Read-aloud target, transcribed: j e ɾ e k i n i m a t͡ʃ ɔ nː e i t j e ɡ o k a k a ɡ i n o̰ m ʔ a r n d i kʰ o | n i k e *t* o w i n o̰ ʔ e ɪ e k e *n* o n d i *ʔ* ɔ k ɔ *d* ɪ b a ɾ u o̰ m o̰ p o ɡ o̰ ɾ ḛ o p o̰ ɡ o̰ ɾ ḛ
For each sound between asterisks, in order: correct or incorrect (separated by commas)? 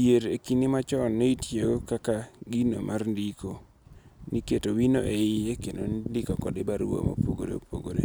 correct, correct, incorrect, correct